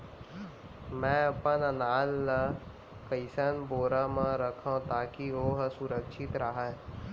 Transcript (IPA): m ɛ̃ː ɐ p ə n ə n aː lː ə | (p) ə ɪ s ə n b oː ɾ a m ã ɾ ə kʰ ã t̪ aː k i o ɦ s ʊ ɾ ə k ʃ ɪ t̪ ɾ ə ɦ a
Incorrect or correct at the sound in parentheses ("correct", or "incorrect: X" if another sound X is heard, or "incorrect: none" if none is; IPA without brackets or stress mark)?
incorrect: k